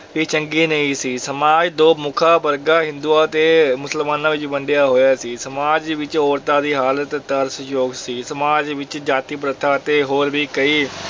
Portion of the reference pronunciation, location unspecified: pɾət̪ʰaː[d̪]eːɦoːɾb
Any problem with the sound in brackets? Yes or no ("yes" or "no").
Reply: yes